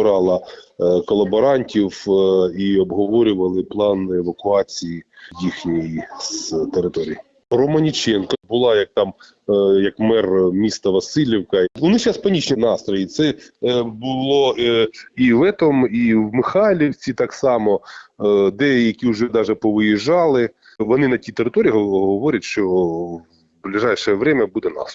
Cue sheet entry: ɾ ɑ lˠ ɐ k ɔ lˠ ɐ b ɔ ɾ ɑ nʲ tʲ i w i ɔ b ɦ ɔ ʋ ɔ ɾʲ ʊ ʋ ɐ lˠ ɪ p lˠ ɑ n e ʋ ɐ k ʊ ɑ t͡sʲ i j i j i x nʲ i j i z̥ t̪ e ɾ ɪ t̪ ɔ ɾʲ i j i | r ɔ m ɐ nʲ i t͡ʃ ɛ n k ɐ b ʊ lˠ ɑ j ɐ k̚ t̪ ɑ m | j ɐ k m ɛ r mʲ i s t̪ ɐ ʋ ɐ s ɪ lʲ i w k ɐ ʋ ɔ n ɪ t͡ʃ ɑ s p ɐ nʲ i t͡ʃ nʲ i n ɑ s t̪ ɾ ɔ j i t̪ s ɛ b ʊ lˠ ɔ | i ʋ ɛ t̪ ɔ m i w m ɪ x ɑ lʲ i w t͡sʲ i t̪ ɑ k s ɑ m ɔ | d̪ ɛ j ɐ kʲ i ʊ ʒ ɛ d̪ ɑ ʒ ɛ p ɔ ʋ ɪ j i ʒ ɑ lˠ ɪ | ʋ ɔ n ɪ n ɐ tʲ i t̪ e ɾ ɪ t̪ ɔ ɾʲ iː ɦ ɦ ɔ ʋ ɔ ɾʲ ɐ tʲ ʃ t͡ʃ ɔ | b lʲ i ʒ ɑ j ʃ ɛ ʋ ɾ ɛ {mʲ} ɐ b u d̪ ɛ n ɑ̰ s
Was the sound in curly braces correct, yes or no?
yes